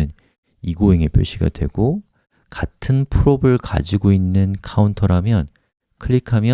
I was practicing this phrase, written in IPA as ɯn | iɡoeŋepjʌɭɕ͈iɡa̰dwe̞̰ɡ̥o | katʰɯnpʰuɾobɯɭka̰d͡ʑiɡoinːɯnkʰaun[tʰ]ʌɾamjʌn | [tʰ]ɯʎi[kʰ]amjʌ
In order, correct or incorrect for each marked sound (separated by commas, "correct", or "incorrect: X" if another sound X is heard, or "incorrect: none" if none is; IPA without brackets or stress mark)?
correct, incorrect: kʰ, correct